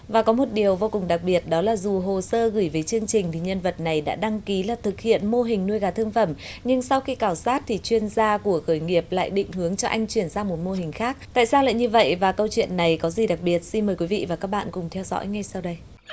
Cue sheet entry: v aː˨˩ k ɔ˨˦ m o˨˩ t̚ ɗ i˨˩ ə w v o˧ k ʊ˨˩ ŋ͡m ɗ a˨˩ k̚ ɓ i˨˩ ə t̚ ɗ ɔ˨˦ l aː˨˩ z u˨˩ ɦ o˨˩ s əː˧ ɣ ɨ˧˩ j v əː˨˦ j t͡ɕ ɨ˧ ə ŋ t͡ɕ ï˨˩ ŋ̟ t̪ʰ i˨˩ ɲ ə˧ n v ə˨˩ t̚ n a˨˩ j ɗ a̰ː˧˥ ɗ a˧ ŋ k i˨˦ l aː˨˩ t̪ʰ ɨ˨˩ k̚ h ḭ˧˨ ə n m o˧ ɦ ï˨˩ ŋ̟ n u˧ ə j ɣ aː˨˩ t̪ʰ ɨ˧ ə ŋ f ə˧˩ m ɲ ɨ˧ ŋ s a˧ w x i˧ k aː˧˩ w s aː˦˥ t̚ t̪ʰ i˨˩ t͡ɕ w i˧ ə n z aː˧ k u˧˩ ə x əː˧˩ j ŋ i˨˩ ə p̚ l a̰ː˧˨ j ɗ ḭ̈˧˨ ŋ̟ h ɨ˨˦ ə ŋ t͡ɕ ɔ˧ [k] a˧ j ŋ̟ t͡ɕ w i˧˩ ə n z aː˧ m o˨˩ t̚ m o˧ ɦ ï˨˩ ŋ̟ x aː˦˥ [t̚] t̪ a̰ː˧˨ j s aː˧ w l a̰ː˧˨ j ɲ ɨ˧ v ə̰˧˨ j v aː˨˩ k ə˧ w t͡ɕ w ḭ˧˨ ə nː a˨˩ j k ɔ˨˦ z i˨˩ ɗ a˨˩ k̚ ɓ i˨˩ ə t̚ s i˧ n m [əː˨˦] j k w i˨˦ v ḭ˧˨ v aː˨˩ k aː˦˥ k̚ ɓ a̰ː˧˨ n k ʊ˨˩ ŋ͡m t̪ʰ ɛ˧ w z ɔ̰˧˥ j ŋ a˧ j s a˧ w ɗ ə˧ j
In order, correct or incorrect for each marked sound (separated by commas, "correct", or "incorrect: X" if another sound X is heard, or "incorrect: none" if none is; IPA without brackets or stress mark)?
incorrect: ʔ, incorrect: k̚, incorrect: əː˨˩